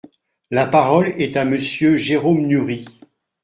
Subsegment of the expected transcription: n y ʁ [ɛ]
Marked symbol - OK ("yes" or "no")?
no